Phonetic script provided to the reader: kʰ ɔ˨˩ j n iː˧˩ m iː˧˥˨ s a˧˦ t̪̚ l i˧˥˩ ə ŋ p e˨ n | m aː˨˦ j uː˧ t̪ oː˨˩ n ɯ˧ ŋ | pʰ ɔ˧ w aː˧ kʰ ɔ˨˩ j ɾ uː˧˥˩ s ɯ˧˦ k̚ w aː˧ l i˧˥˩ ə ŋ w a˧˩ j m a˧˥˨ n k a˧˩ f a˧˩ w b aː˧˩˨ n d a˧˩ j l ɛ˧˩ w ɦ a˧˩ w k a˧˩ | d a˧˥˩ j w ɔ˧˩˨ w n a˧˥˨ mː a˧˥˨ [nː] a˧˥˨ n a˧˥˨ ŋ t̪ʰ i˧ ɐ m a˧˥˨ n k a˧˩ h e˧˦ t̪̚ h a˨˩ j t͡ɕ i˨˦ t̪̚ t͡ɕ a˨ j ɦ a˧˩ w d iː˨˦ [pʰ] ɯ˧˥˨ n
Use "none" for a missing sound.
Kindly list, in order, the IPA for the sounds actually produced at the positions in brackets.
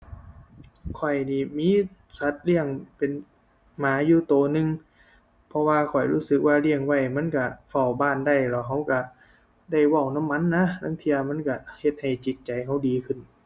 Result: nː, kʰ

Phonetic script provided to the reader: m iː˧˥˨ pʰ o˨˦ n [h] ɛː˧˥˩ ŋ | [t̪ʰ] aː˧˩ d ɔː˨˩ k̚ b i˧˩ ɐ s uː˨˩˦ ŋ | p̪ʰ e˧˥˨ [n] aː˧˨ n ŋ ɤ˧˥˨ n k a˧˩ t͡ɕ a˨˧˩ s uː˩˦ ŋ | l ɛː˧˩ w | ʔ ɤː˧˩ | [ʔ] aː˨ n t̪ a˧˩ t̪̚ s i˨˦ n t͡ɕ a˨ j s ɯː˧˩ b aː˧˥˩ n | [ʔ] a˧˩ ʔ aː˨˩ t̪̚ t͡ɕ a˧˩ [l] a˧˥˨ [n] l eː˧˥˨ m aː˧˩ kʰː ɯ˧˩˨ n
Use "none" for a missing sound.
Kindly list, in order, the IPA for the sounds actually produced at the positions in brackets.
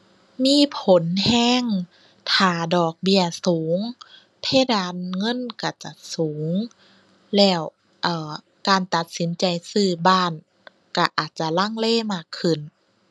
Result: h, t̪ʰ, d, k, k, l, ŋ

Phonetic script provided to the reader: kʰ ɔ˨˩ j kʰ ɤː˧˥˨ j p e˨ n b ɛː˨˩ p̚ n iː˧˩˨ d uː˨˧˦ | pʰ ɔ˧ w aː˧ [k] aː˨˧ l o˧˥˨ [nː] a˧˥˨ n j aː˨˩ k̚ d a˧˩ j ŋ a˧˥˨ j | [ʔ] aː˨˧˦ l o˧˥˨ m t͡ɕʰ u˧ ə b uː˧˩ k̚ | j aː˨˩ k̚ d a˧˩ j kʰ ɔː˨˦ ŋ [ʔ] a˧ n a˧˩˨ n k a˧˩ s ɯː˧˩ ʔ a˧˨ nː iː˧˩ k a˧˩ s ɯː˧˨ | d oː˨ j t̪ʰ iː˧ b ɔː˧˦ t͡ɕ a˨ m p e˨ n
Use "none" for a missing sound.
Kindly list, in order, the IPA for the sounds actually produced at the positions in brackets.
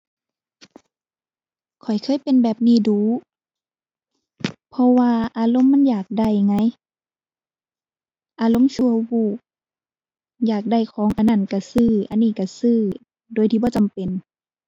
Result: ʔ, mː, ʔ, ʔ

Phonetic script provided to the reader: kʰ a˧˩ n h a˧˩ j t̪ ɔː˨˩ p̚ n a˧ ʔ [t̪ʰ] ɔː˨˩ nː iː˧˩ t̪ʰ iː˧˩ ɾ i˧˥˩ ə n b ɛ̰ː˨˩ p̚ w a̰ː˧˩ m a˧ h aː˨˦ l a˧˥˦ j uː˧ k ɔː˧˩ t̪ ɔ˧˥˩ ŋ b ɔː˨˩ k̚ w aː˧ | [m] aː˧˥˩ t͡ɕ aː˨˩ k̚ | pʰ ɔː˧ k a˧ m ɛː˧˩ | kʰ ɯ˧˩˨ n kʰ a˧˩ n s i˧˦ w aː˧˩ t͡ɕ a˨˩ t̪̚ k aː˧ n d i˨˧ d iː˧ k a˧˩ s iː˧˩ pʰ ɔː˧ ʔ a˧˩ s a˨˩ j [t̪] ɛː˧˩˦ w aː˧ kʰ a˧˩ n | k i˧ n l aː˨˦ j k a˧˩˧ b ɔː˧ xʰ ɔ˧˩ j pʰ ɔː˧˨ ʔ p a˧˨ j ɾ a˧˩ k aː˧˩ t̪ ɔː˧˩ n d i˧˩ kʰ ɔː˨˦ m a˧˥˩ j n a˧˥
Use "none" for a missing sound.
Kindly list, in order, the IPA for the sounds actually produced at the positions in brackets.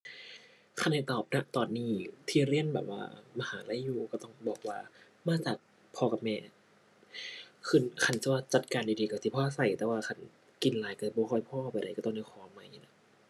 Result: t̪, m, t̪

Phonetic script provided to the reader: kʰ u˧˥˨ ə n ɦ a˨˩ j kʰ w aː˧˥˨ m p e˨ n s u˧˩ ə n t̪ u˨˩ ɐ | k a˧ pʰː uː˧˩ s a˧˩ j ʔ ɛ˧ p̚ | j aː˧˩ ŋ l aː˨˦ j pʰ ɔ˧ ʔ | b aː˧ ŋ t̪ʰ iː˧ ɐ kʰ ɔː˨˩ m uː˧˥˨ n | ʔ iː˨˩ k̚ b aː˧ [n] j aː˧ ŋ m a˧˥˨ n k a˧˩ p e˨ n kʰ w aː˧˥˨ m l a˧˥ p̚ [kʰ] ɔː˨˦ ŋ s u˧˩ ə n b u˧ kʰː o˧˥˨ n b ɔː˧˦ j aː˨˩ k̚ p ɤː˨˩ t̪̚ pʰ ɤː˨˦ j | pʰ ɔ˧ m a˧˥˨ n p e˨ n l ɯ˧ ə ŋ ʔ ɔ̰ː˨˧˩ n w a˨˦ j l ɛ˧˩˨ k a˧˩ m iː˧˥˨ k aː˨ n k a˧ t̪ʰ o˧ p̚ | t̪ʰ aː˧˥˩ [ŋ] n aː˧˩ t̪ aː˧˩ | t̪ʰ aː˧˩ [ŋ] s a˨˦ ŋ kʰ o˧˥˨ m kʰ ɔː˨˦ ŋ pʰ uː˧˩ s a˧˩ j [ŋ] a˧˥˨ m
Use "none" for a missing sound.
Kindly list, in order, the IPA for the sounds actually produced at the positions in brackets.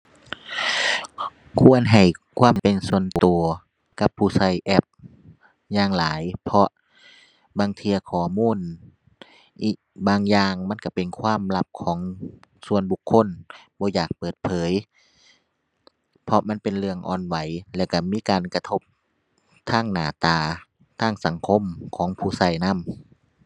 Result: ŋ, kʰ, ŋ, ŋ, n

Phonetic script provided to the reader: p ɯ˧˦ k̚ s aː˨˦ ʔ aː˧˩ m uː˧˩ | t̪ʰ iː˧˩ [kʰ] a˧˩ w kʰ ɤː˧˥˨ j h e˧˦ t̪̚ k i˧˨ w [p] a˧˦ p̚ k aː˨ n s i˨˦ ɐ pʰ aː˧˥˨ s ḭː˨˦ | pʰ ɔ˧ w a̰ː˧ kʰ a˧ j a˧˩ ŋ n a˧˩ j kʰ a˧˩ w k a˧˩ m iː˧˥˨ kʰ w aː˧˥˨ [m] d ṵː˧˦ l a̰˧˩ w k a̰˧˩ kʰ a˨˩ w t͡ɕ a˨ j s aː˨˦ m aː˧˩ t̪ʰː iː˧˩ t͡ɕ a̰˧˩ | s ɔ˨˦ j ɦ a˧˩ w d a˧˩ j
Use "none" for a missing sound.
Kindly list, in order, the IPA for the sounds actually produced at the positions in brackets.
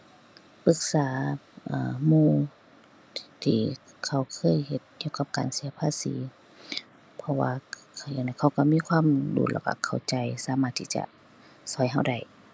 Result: kʰ, k, m

